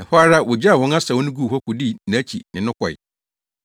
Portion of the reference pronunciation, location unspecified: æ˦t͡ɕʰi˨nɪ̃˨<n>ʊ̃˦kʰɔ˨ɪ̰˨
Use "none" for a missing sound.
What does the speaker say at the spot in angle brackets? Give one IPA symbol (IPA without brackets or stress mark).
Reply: n